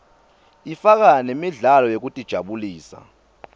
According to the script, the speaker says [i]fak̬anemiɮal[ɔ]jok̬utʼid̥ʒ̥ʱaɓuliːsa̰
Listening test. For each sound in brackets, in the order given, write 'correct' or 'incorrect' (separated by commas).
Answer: correct, correct